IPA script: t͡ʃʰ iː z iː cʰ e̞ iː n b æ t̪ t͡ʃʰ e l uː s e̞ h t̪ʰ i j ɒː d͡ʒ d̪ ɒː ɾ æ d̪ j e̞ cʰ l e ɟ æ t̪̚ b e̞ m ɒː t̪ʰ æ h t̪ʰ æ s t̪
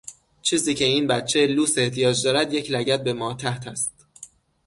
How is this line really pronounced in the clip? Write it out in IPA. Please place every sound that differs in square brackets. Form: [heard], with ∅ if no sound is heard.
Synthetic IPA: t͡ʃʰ iː z iː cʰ e̞ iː n b æ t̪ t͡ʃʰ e l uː s e̞ h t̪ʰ i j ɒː d͡ʒ d̪ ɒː ɾ æ d̪ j e̞ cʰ l [æ] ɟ æ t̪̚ b e̞ m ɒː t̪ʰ æ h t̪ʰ æ s t̪